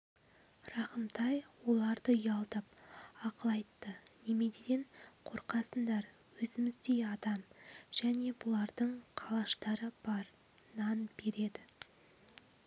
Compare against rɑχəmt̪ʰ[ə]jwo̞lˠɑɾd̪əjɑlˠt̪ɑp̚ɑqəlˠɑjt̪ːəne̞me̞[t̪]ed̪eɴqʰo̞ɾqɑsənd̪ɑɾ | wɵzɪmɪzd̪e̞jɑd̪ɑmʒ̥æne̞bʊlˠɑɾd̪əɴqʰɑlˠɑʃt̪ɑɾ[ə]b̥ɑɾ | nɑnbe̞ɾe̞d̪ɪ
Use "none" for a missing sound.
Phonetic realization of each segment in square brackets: ɑ, d̪, ə

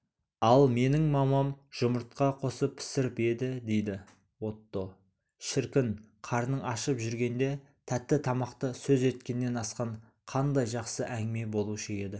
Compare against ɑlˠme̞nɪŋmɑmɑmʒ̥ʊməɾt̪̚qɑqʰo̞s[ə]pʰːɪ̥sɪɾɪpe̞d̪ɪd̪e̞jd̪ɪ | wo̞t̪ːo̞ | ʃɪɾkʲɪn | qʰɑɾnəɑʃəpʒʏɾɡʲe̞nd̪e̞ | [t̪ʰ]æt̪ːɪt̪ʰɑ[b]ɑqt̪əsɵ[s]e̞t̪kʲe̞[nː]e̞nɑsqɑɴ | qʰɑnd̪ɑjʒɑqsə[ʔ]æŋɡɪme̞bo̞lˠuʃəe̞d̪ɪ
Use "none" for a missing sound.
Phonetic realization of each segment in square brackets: ə, t̪ʰ, m, z, nː, ʔ

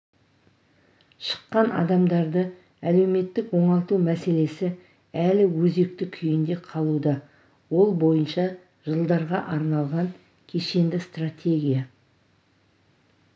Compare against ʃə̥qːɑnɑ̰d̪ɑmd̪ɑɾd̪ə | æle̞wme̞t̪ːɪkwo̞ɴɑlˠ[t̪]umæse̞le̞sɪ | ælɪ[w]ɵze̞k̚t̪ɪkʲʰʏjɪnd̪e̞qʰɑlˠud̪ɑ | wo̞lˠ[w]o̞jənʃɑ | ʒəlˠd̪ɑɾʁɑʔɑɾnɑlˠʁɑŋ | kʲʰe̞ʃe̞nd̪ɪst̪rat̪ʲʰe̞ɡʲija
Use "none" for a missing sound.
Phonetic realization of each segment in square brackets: t̪, w, b

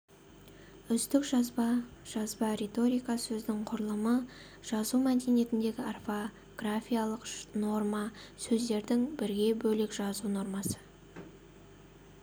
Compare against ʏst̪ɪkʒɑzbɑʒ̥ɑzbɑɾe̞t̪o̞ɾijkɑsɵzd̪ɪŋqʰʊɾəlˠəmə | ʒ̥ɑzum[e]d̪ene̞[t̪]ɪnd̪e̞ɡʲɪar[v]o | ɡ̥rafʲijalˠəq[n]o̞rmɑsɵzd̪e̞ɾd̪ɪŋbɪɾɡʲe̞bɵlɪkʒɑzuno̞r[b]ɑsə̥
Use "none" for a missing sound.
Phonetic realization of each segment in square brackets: æ, t̪, f, n, m

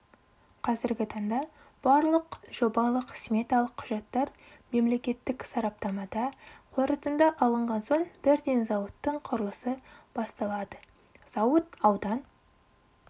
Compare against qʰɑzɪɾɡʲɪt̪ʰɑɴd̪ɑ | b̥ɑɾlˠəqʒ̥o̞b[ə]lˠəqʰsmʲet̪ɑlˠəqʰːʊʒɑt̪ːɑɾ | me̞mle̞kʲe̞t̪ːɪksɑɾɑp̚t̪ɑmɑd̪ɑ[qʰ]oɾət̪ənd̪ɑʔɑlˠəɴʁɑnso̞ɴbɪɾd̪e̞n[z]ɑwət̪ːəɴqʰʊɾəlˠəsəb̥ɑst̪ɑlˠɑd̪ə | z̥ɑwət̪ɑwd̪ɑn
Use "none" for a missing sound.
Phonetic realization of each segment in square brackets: ɑ, qʰ, z

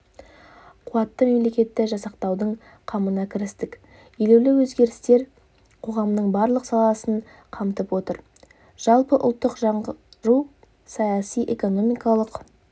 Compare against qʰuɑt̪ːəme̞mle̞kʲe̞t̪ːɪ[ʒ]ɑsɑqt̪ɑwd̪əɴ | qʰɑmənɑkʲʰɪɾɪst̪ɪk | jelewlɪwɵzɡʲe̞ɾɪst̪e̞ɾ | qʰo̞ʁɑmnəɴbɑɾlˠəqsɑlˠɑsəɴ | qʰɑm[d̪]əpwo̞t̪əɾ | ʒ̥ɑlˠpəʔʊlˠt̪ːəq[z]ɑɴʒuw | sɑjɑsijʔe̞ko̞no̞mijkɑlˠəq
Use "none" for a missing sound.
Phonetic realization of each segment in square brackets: ʒ, t̪, ʒ

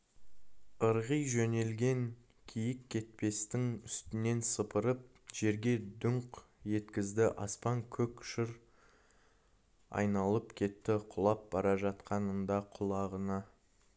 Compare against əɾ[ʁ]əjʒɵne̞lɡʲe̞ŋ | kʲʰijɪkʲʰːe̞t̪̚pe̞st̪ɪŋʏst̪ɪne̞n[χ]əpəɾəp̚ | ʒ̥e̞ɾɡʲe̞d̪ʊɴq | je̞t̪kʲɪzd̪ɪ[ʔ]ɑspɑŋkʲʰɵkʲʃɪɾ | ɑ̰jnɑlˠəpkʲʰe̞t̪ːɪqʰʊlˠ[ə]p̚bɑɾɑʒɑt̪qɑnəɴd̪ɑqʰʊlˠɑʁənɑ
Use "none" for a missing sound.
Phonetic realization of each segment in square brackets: ʁ, s, ʔ, ɑ

